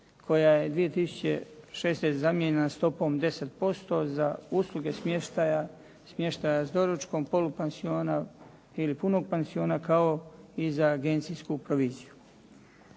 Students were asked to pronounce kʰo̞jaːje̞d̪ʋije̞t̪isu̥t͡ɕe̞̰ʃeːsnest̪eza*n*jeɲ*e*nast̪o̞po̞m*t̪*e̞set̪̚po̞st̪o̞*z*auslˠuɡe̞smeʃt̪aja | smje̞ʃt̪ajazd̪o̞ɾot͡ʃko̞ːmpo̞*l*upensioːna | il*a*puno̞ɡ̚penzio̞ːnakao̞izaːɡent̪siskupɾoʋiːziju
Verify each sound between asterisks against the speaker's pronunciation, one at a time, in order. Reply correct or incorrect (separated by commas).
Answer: incorrect, correct, incorrect, correct, correct, incorrect